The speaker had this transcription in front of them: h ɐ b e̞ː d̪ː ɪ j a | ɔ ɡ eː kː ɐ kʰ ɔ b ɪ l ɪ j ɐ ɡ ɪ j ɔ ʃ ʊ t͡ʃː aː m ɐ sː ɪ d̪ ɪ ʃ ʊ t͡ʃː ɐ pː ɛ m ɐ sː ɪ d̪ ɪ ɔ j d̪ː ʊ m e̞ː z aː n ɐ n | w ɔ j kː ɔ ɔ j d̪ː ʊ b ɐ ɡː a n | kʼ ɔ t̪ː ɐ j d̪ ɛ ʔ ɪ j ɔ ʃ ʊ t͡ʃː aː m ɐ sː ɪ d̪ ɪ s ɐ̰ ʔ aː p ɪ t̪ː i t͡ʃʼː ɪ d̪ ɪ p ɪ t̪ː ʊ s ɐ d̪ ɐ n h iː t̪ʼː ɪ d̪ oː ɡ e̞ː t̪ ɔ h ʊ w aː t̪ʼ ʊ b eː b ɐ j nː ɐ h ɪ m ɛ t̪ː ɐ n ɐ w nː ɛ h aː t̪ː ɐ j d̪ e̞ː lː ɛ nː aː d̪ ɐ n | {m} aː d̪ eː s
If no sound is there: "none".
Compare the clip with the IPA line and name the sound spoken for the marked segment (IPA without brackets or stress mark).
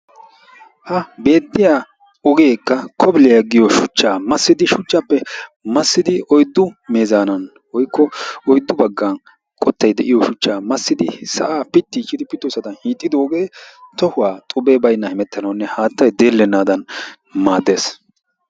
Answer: m